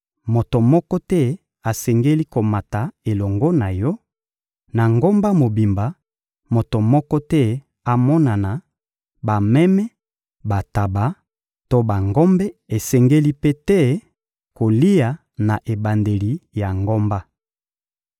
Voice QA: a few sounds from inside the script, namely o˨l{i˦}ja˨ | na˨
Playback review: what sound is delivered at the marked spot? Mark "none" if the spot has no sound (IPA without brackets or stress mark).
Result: i˦